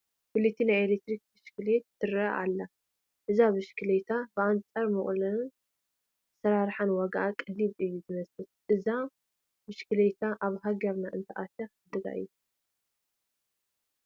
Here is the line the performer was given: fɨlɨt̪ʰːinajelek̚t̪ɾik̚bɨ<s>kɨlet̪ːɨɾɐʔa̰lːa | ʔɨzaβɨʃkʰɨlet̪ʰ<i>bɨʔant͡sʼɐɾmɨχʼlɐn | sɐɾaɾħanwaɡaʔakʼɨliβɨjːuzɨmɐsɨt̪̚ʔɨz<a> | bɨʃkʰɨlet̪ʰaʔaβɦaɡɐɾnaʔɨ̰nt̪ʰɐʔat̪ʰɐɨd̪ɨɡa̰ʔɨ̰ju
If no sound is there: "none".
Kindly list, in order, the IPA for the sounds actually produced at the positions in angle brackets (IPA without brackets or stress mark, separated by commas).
ʃ, a, a